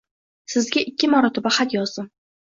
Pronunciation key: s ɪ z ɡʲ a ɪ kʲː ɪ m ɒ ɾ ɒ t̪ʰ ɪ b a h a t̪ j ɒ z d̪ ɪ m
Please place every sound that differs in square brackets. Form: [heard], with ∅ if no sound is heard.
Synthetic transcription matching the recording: s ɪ z ɡʲ a ɪ kʲː ɪ m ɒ ɾ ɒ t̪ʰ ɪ b a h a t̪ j ɒ z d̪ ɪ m